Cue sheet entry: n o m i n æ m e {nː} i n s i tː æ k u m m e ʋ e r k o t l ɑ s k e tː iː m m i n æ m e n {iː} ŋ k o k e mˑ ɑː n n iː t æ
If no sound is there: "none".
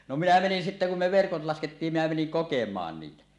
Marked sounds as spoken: n, i

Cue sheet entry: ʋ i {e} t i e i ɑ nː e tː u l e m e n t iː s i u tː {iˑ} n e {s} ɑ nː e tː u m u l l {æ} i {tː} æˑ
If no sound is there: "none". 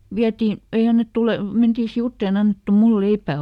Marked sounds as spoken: æ, eˑ, none, e, pː

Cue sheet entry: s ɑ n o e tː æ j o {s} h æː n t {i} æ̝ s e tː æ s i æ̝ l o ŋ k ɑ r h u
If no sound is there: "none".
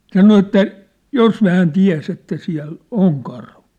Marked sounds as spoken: s, i

